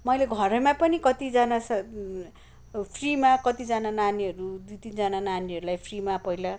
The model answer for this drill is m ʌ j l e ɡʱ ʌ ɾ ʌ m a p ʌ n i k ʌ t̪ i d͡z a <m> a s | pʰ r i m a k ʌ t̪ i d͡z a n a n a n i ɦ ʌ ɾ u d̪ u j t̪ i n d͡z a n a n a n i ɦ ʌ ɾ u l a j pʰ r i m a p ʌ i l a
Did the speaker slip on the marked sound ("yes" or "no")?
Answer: yes